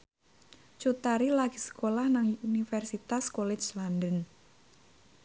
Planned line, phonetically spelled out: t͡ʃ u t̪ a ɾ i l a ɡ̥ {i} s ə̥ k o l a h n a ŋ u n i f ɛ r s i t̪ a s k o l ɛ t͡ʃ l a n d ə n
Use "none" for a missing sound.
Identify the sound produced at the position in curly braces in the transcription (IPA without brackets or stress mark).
i